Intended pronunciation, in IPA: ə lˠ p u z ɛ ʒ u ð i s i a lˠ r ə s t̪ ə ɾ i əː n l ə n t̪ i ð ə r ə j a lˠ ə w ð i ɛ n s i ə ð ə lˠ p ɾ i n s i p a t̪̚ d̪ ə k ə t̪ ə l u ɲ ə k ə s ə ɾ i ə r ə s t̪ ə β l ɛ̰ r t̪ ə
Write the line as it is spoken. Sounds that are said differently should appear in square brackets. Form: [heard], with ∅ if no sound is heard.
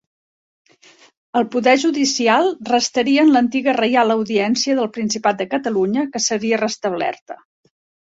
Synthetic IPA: ə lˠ p u [ð] ɛ ʒ u ð i s i a lˠ r ə s t̪ ə ɾ i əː n l ə n t̪ i [ɣ] ə r ə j a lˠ ə w ð i ɛ n s i ə ð ə lˠ p ɾ i n s i p a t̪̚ d̪ ə k ə t̪ ə l u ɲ ə k ə s ə ɾ i ə r ə s t̪ ə β l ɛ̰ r t̪ ə